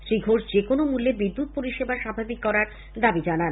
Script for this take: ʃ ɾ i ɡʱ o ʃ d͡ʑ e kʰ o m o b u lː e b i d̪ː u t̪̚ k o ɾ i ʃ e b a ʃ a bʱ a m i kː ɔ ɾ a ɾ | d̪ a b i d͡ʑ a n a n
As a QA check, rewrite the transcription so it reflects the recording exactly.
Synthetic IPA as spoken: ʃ ɾ i ɡʱ o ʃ d͡ʑ e k o n o m u lː e b i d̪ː u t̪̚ p o ɾ i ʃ e b a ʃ a bʱ a b i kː ɔ ɾ a ɾ | d̪ a b i d͡ʑ a n a n

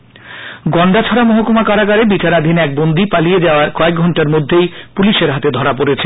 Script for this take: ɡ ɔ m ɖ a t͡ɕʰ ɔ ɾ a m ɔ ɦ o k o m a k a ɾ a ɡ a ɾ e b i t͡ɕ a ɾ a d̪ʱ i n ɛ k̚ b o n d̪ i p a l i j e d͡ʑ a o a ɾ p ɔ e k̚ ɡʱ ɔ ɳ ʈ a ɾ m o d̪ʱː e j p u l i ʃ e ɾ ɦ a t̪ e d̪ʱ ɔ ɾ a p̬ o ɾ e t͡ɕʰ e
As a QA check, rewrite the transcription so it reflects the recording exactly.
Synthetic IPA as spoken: ɡ ɔ ɳ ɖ a t͡ɕʰ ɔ ɾ a m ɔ ɦ o k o m a k a ɾ a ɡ a ɾ e b i t͡ɕ a ɾ a d̪ʱ i n ɛ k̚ b o n d̪ i p a l i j e d͡ʑ a o a ɾ k ɔ e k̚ ɡʱ ɔ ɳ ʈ a ɾ m o d̪ʱː e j p u l i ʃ e ɾ ɦ a t̪ e d̪ʱ ɔ ɾ a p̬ o ɾ e t͡ɕʰ e

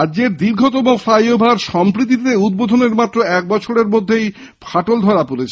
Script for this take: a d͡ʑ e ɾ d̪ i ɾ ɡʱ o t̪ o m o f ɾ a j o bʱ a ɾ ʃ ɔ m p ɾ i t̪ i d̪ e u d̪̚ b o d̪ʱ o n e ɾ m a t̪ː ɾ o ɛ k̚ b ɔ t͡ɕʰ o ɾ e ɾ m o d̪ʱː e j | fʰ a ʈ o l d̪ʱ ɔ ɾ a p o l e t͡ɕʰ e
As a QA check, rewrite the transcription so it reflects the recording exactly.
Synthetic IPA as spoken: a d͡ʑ e ɾ d̪ i ɾ ɡʱ o t̪ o m o f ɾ a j o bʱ a ɾ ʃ ɔ m p ɾ i t̪ i t̪ e u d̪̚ b o d̪ʱ o n e ɾ m a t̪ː ɾ o ɛ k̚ b ɔ t͡ɕʰ o ɾ e ɾ m o d̪ʱː e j | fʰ a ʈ o l d̪ʱ ɔ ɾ a p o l e t͡ɕʰ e

